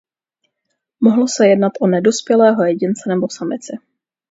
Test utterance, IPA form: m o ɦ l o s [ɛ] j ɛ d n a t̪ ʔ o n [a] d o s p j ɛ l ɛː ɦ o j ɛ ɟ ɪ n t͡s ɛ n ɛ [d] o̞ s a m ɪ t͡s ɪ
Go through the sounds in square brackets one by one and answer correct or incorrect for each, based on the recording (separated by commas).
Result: correct, incorrect, incorrect